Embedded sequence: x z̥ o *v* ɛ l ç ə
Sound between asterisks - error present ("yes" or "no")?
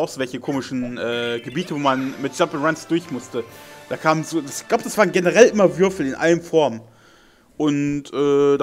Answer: no